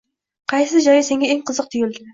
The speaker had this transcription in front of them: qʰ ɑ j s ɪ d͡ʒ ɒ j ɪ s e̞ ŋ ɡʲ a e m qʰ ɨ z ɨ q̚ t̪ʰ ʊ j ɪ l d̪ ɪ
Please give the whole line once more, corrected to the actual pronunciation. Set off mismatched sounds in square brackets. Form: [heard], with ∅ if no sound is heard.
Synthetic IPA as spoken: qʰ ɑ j s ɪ d͡ʒ ɒ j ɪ s e̞ ŋ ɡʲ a e [ŋ] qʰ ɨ z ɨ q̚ t̪ʰ ʊ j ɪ l d̪ ɪ